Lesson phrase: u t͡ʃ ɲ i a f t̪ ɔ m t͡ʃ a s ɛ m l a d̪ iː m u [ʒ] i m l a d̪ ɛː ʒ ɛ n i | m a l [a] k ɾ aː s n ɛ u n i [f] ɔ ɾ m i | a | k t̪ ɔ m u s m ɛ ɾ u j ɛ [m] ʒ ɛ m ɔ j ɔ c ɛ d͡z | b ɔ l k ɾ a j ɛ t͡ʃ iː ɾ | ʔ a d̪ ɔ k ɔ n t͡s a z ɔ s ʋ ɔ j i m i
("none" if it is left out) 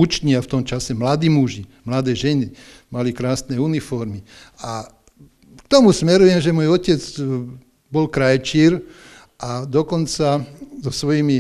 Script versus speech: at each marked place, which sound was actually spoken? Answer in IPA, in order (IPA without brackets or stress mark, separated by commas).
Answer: ʒ, i, f, m